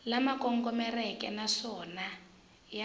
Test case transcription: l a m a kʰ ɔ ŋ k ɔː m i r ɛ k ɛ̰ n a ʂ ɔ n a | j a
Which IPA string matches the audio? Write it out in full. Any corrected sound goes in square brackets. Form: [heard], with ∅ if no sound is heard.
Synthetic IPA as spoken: l a m a [k] ɔ ŋ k [ɔ] m [ɛ] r ɛ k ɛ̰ n a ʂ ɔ n a | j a